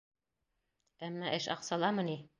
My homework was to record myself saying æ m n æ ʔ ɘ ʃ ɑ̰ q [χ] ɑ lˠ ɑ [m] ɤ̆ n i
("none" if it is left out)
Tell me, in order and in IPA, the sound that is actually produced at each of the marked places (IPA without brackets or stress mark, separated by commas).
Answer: s, m